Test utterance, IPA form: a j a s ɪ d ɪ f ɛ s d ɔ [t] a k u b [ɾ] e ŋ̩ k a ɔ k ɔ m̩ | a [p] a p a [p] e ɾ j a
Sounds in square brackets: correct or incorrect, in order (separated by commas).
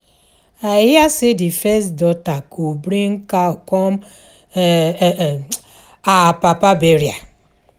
correct, correct, correct, incorrect